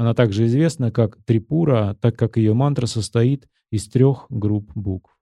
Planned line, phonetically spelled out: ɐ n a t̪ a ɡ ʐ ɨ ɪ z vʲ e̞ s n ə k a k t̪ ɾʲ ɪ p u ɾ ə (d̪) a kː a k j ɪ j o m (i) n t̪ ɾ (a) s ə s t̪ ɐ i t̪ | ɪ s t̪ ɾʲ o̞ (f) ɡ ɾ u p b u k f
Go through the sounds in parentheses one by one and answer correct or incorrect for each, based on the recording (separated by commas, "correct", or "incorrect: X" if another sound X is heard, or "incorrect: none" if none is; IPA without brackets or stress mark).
incorrect: t̪, incorrect: a, incorrect: ə, incorrect: x